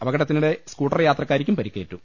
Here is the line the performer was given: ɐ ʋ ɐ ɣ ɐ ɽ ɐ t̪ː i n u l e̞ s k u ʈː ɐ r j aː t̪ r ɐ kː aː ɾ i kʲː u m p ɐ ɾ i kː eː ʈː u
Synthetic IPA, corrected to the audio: ɐ ʋ ɐ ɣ ɐ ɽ ɐ t̪ː i n u ɽ e̞ s k uː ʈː ɐ r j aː t̪ r ɐ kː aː ɾ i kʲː u m p ɐ ɾ i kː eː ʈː u